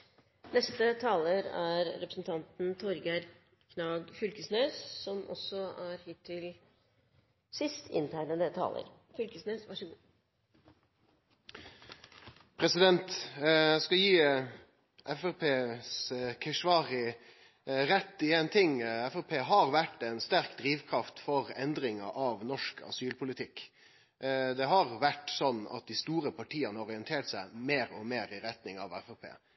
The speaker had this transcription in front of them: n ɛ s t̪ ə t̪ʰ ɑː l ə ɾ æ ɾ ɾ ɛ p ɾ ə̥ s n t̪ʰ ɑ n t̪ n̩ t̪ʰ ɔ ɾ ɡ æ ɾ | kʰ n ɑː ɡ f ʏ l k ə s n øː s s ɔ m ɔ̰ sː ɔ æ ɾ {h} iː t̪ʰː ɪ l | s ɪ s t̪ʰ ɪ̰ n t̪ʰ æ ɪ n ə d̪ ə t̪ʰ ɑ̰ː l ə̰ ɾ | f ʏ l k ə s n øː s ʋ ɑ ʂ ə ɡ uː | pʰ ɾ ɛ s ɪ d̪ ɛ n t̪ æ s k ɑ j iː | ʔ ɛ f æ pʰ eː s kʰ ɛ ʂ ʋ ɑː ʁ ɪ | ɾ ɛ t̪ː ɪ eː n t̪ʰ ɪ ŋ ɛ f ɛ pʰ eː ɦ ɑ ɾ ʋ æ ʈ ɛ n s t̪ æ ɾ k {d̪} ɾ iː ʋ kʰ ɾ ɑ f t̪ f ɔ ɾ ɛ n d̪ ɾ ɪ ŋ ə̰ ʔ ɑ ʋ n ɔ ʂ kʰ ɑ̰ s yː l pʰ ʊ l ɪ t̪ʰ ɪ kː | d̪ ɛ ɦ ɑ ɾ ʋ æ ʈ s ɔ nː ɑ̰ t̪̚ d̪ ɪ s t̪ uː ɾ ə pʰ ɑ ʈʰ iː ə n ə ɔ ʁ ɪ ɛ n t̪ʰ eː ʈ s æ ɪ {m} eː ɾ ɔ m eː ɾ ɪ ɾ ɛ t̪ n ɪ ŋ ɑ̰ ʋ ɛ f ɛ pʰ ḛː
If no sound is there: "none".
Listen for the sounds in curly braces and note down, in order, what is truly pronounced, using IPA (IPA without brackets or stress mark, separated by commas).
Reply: h, d̪, m